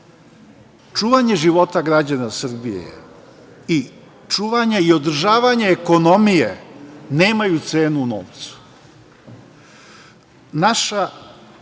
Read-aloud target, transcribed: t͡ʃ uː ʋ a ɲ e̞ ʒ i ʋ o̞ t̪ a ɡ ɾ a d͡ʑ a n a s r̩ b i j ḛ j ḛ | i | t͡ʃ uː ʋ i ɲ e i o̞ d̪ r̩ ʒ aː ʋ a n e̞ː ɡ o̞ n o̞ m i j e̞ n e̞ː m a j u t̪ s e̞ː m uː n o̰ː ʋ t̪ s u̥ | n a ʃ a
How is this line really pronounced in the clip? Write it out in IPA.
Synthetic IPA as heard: t͡ʃ uː ʋ a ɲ e̞ ʒ i ʋ o̞ t̪ a ɡ ɾ a d͡ʑ a n a s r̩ b i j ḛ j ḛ | i | t͡ʃ uː ʋ a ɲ e i o̞ d̪ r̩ ʒ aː ʋ a ɲ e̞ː k o̞ n o̞ m i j e̞ n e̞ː m a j u t̪ s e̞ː n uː n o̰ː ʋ t̪ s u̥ | n a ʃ a